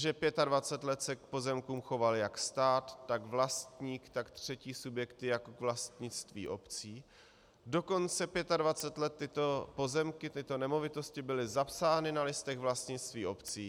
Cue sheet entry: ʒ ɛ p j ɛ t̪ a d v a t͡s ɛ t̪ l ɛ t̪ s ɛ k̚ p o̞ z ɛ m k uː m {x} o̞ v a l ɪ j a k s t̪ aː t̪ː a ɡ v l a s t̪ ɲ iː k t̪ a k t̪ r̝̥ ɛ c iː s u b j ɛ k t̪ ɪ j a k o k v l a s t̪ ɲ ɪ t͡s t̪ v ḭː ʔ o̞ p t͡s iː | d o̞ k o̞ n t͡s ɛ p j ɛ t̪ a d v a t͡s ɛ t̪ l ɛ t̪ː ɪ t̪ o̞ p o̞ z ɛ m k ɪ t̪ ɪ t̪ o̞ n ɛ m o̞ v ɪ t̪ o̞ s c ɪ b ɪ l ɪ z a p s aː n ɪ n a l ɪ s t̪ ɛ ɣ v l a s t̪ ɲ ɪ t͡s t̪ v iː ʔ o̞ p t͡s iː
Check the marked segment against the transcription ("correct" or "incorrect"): correct